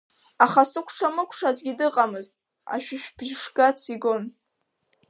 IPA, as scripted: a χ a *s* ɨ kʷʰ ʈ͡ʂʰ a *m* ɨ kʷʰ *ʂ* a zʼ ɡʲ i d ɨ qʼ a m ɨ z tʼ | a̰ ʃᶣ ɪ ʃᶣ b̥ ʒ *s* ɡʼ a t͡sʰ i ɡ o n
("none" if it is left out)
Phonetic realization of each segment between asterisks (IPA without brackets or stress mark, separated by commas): s, m, ʂ, ʂ